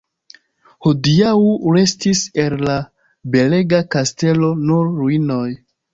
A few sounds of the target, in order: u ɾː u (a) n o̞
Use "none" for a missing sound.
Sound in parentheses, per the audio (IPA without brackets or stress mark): i